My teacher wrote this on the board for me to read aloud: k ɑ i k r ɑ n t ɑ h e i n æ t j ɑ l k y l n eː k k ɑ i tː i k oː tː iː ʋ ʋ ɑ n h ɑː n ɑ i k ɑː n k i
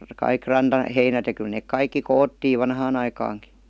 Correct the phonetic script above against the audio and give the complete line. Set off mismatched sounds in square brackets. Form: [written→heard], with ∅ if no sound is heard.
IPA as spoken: k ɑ i k r ɑ n t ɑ h e i n æ t j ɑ [l→∅] k y l n eː k k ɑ i [tː→kː] i k oː tː iː ʋ ʋ ɑ n h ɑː n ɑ i k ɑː [n→ŋ] k i